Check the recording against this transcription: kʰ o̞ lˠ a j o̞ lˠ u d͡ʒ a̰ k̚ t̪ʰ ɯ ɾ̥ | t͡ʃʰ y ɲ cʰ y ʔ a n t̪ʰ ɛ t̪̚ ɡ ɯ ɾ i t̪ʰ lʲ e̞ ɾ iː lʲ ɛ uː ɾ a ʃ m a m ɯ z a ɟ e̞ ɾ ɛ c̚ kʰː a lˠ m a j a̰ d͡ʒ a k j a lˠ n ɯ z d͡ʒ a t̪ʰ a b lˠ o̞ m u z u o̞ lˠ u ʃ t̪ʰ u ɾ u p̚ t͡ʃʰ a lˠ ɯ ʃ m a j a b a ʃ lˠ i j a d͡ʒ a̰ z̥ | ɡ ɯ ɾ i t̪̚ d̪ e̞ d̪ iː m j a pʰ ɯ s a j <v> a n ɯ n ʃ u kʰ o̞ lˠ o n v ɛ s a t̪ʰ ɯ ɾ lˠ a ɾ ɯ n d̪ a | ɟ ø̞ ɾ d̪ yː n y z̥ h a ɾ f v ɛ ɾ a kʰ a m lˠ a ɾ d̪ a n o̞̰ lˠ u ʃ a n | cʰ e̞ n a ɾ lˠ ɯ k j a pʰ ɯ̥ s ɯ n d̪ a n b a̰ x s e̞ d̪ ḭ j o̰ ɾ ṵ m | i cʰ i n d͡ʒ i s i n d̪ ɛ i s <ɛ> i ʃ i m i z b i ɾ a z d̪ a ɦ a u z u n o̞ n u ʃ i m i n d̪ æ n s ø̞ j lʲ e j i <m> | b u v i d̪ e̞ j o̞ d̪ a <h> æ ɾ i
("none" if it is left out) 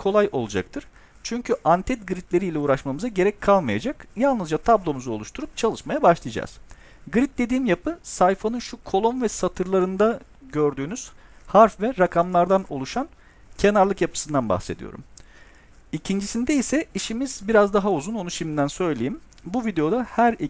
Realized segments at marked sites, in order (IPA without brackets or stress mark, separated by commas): f, ɛ, m, h